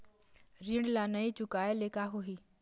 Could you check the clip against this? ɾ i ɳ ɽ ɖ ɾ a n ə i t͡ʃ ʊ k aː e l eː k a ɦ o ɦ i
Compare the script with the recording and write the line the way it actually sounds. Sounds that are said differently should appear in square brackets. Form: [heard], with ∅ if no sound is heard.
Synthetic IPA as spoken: ɾ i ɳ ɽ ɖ [l] a n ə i t͡ʃ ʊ k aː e l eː k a ɦ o ɦ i